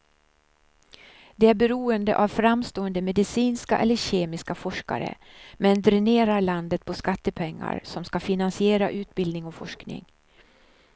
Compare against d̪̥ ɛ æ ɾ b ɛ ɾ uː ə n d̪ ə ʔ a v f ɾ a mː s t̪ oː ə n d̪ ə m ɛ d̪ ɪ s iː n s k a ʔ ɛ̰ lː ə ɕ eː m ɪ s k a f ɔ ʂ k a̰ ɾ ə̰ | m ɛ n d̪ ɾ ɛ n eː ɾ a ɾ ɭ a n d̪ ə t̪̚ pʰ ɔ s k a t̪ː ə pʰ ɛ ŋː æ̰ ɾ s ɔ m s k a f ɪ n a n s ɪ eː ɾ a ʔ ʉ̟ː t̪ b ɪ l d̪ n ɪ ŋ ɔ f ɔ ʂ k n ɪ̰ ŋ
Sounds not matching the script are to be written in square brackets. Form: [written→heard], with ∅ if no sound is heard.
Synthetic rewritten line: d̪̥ ɛ æ ɾ b ɛ ɾ uː ə n d̪ ə ʔ a v f ɾ a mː s t̪ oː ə n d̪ ə m ɛ d̪ ɪ s iː n s k a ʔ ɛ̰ lː ə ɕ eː m ɪ s k a f ɔ ʂ k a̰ ɾ ə̰ | m ɛ n d̪ ɾ ɛ n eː ɾ a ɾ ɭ a n d̪ ə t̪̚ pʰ ɔ s k a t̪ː ə pʰ ɛ ŋː [æ̰→a̰] ɾ s ɔ m s k a f ɪ n a n s ɪ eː ɾ a ʔ ʉ̟ː t̪ b ɪ l d̪ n ɪ ŋ ɔ f ɔ ʂ k n ɪ̰ ŋ

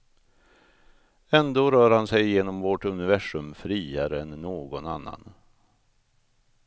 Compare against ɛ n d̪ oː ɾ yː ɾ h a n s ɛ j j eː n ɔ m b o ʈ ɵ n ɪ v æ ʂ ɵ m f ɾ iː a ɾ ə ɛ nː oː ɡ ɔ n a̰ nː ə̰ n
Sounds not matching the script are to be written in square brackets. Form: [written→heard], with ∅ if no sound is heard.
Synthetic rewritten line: ɛ n d̪ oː ɾ [yː→œː] ɾ h a n s ɛ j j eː n ɔ m [b→v] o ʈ ɵ n ɪ v æ ʂ ɵ m f ɾ iː a ɾ ə ɛ nː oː ɡ ɔ n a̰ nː [ə̰→a̰] n

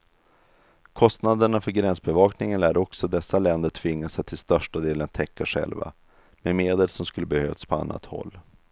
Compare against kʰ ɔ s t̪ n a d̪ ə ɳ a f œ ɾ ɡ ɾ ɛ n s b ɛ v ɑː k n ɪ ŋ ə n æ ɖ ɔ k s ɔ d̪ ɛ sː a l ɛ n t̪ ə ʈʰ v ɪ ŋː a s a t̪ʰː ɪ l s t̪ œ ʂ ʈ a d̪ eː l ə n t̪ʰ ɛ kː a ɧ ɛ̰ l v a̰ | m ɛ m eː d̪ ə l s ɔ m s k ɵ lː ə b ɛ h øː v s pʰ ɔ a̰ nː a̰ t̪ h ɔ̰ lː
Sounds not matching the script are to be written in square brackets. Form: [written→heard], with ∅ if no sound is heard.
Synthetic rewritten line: kʰ ɔ s t̪ n a d̪ ə ɳ a f œ ɾ ɡ ɾ ɛ n s b ɛ v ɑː k n ɪ ŋ ə n æ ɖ ɔ k s ɔ d̪ ɛ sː a l ɛ n [t̪→d̪] ə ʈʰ v ɪ ŋː a s a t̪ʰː ɪ l s t̪ œ ʂ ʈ a d̪ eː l ə n t̪ʰ ɛ kː a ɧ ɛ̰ l v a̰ | m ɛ m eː d̪ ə l s ɔ m s k ɵ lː ə b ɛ h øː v s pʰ ɔ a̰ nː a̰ t̪ h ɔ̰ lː

